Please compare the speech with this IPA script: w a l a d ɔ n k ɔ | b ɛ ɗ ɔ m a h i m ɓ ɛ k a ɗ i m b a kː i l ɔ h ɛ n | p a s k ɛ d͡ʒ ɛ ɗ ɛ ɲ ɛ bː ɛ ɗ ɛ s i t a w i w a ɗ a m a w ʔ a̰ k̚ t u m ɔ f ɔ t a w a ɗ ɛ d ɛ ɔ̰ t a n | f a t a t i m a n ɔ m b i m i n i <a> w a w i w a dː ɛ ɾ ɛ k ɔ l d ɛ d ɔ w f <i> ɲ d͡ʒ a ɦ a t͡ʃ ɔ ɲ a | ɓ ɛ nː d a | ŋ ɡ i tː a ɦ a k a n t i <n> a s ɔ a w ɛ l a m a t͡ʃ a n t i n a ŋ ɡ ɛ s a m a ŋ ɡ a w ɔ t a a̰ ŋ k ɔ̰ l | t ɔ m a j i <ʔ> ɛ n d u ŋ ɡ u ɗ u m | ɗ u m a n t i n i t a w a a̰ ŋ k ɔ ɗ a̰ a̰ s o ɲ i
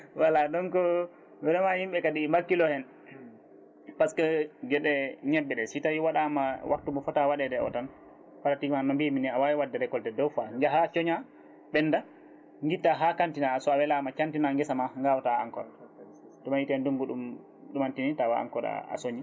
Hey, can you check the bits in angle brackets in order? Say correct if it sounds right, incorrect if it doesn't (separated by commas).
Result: correct, incorrect, correct, incorrect